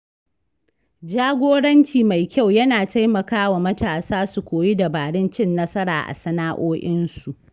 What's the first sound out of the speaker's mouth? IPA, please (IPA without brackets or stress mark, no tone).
d͡ʒ